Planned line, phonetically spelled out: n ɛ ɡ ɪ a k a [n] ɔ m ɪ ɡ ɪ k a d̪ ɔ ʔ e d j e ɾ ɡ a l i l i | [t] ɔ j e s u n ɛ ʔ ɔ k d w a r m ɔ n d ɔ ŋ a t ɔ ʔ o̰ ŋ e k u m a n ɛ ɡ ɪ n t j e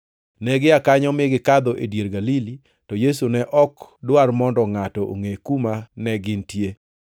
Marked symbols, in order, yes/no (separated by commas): no, yes